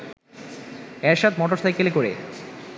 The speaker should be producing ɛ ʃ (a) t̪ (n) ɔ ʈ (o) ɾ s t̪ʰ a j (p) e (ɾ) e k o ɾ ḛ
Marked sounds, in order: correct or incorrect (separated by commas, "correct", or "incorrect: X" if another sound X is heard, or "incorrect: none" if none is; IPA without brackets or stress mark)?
correct, incorrect: m, correct, incorrect: k, incorrect: l